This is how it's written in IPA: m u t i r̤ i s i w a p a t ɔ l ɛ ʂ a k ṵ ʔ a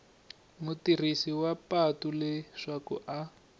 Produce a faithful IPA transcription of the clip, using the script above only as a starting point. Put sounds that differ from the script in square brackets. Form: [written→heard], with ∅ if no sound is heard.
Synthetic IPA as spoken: m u t i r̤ i s i w a p a t [ɔ→u] l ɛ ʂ a k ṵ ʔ a

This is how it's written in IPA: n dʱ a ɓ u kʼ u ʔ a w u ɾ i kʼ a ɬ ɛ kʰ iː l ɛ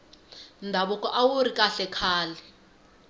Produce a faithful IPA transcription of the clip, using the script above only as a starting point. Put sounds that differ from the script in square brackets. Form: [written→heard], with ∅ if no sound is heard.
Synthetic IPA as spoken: n dʱ a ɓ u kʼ [u→ɔ] ʔ a w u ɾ i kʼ a ɬ ɛ kʰ [iː→aː] l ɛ

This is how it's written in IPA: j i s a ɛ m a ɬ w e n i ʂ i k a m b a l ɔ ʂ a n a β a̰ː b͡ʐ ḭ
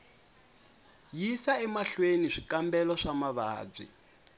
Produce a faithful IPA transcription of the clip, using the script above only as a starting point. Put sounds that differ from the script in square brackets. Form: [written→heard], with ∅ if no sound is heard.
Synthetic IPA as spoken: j i s a ɛ m a ɬ w e n i ʂ i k a m b [a→ɛ] l ɔ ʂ a [n→m] a β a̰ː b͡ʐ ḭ

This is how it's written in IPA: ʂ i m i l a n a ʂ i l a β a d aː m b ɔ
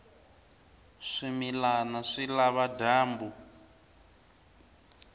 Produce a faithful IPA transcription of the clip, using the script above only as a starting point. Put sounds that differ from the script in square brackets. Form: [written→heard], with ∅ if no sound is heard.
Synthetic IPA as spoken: ʂ i m i l a n a ʂ i l a β a d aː m b [ɔ→u]

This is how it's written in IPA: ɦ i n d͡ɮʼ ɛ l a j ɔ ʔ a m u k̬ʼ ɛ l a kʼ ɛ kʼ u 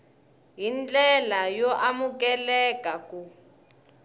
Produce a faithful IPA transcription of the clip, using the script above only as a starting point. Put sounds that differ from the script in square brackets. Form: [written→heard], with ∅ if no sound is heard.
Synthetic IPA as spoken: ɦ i n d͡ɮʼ ɛ l a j ɔ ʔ a m u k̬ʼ ɛ l [a→ɛ] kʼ [ɛ→a] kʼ u

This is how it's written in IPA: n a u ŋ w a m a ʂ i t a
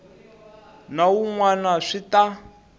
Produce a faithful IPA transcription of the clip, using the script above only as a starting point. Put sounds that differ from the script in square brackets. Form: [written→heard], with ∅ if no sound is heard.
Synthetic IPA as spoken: n a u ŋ w a [m→n] a ʂ i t a

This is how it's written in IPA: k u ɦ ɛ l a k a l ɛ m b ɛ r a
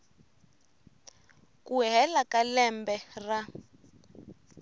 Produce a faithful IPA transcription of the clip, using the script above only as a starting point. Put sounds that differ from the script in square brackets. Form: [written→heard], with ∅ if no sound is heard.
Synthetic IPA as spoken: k u ɦ ɛ l a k a l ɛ m b ɛ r a

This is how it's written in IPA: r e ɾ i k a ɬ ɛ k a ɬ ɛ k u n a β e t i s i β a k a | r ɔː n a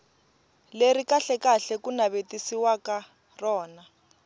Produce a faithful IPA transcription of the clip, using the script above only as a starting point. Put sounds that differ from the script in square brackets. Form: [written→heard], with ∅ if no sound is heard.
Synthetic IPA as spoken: [r→l] e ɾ i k a ɬ ɛ k a ɬ ɛ k u n a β e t i s i [β→w] a k a | r ɔː n a

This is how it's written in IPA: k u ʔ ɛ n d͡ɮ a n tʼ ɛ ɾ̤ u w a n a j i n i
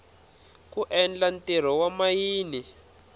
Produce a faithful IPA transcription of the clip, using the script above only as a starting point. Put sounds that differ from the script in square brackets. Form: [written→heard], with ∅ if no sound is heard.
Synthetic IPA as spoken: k u ʔ ɛ n d͡ɮ a n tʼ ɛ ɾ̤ [u→ɔ] w a [n→m] a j [i→iː] n i

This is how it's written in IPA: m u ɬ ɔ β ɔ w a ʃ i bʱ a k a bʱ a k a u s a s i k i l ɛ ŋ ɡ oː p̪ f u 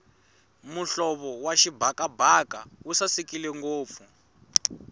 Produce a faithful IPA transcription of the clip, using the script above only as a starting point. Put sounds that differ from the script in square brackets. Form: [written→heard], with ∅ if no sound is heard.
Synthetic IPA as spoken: m u ɬ ɔ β ɔ w a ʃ i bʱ a k a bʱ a k a u s a s i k i l ɛ ŋ ɡ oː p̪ f u

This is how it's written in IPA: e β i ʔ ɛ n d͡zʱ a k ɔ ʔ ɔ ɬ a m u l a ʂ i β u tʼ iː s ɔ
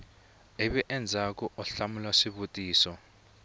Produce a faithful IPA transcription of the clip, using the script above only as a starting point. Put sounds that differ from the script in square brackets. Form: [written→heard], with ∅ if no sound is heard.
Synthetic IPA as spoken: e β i ʔ ɛ n d͡zʱ a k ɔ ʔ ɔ ɬ a m u l a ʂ i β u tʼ iː s ɔ

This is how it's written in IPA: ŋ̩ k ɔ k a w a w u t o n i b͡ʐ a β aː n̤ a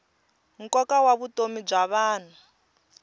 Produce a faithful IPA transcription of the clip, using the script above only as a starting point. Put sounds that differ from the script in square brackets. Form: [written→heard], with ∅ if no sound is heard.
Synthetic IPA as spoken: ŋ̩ k ɔ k a w a [w→β] u t o [n→m] i b͡ʐ a β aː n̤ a

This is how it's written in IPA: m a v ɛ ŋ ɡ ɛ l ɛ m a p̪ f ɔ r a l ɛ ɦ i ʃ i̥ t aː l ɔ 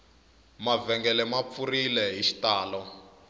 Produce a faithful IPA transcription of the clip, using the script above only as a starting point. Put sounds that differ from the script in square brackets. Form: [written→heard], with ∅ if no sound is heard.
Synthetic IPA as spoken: m a v ɛ ŋ ɡ ɛ l ɛ m a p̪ f [ɔ→u] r [a→i] l ɛ ɦ i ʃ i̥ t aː l ɔ

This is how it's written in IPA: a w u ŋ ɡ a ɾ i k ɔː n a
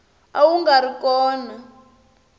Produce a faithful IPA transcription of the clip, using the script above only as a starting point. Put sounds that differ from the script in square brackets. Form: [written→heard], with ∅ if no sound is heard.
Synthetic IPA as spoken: a w u ŋ ɡ a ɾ i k ɔː n a

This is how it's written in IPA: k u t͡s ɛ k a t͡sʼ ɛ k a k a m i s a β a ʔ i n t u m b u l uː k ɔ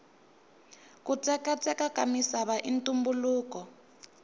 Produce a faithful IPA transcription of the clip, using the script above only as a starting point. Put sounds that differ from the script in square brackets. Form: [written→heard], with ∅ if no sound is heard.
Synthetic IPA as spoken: k u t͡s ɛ k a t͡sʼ ɛ k a k a m i s a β a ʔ i n t u m b u l uː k ɔ

